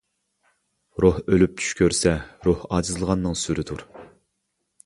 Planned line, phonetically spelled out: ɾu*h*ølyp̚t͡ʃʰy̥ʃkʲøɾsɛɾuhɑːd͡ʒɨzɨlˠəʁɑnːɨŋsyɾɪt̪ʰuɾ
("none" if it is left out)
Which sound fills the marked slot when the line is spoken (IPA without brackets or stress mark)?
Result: h